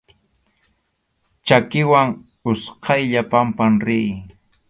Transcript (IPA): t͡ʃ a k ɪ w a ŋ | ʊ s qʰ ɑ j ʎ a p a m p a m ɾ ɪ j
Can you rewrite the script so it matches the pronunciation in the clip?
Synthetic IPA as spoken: t͡ʃ a k ɪ w a ŋ | ʊ s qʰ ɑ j ʎ a p a m p a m ɾ ɪ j